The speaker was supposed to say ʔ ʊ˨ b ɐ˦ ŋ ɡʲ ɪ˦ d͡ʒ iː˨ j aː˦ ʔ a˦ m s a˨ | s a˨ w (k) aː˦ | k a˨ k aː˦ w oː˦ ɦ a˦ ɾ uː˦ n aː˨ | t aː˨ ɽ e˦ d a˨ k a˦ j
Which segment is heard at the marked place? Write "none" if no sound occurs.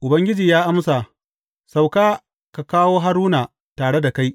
k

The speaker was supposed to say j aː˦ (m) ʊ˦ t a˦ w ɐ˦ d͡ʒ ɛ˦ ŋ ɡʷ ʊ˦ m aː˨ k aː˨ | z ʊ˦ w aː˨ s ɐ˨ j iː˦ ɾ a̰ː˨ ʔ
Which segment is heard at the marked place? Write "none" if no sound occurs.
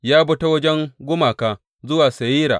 b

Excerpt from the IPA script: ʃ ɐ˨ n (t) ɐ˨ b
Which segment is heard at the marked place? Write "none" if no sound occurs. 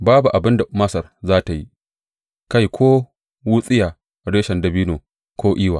d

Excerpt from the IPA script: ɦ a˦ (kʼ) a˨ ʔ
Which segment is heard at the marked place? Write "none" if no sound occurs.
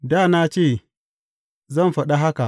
k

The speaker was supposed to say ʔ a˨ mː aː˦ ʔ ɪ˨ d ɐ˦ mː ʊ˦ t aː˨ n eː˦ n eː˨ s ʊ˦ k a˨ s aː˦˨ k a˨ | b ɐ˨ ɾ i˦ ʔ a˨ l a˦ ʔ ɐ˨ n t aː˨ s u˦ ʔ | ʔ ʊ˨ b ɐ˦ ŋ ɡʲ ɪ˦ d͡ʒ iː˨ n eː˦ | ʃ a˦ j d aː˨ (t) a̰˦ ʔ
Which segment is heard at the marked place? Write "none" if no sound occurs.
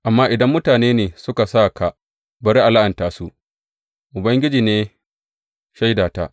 t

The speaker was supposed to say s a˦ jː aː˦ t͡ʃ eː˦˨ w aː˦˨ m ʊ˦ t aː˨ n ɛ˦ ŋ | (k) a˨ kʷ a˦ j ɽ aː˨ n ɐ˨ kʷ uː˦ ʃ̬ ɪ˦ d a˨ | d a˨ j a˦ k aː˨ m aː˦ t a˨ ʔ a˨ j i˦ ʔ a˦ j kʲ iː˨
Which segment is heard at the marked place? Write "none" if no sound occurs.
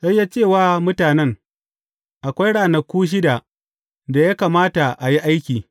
ʔ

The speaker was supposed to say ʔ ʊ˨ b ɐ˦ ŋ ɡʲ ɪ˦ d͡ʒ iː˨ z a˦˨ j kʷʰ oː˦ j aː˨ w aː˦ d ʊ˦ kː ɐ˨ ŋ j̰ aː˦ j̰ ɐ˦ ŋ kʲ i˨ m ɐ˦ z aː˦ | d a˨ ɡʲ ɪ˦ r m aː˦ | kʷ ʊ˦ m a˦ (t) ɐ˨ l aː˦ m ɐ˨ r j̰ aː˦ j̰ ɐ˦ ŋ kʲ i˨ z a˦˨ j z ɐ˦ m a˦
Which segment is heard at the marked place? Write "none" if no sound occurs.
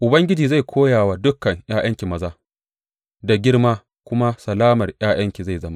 s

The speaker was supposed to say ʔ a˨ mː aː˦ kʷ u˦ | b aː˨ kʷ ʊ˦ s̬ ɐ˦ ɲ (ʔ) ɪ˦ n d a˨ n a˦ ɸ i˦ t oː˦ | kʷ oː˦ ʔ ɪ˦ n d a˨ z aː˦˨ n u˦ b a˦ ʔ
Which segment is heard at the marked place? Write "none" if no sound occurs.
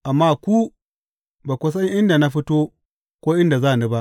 ʔ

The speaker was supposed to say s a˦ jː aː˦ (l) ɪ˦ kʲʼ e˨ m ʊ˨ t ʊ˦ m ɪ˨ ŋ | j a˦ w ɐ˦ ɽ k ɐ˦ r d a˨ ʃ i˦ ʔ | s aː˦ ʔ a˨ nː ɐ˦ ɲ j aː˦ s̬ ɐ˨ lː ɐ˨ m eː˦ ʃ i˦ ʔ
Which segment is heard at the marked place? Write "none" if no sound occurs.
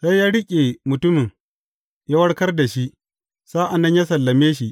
ɽ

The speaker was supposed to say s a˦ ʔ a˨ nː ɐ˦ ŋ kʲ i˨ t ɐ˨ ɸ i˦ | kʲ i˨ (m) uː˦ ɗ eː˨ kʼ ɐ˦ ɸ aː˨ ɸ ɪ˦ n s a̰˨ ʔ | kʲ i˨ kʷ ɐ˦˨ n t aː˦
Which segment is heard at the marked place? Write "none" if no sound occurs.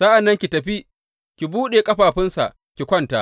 b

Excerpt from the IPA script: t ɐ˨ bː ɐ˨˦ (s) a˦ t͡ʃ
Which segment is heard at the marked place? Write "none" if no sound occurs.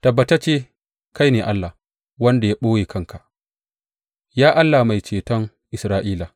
t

